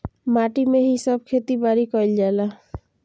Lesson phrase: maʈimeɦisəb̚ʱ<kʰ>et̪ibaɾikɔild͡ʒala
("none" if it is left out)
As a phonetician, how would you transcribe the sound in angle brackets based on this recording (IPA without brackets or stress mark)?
kʰ